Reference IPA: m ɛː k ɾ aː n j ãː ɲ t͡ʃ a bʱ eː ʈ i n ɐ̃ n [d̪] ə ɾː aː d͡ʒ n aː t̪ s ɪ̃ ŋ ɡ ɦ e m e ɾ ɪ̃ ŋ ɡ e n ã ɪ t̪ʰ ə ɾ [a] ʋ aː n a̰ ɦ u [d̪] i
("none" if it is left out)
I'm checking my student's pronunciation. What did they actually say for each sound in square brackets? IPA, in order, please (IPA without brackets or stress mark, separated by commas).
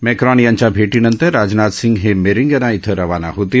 t̪, ɐ, t̪